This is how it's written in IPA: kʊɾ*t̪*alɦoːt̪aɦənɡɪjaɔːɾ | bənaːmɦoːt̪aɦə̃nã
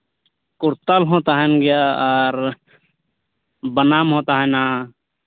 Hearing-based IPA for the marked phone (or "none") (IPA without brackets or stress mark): t̪